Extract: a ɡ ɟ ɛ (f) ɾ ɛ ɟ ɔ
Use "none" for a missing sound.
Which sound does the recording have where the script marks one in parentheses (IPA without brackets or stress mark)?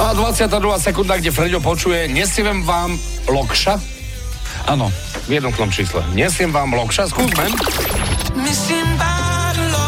f